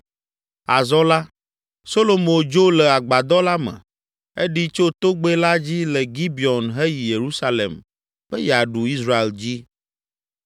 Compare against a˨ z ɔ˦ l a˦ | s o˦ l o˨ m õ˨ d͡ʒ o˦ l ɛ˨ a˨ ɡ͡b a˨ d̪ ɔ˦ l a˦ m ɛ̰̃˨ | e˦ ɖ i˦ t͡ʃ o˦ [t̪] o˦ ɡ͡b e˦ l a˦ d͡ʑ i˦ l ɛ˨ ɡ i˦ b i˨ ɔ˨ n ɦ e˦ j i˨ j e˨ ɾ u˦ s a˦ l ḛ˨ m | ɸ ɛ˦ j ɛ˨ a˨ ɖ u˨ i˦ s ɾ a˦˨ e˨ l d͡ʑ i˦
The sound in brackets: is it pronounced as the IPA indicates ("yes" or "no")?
yes